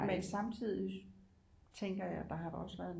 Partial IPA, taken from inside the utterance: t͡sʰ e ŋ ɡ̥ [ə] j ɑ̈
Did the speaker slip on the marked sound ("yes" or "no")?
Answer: yes